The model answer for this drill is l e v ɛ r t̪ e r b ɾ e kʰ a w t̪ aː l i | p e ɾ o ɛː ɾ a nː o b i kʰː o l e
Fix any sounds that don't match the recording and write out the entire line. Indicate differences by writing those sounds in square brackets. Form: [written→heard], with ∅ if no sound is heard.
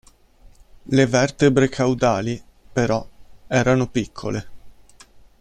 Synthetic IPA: l e v ɛ r t̪ e [r→∅] b ɾ e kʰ a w [t̪→d̪] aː l i | p e ɾ [o→ɔ] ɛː ɾ a [nː→n] o [b→p] i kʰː o l e